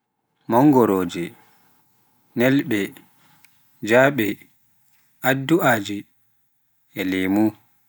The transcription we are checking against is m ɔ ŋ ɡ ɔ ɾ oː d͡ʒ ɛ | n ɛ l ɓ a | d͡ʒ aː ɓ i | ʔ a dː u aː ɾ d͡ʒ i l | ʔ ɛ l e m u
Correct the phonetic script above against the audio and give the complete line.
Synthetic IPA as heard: m ɔ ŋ ɡ ɔ ɾ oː d͡ʒ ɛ | n ɛ l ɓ ɛ | d͡ʒ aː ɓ ɛ | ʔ a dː u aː d͡ʒ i | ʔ ɛ l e m u